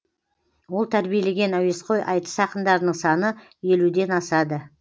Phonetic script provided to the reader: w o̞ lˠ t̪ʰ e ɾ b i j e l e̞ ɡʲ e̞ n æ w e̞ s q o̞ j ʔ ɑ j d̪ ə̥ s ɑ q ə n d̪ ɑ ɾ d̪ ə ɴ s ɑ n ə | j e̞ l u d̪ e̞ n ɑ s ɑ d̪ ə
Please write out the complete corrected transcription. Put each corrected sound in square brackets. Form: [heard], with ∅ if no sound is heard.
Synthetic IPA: w o̞ lˠ t̪ʰ [æ] ɾ b i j e l e̞ ɡʲ e̞ n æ w e̞ s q o̞ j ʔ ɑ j [t̪] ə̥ s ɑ q ə n d̪ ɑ ɾ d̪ ə ɴ s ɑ n ə | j e̞ l u d̪ e̞ n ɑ s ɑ d̪ ə